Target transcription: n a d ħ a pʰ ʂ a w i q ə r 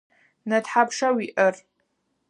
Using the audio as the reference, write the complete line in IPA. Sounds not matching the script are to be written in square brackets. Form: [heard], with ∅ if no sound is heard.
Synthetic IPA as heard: n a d ħ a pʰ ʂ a w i [ʔ] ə r